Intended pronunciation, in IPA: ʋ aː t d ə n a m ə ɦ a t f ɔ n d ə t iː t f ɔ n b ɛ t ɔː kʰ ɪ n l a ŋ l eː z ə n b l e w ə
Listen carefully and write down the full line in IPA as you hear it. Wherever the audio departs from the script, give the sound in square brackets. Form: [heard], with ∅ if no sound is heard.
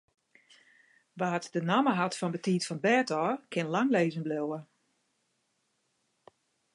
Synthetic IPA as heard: ʋ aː t d ə n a m ə ɦ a t f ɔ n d ə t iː t f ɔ n b ɛ t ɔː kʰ ɪ n l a ŋ l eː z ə n b l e w ə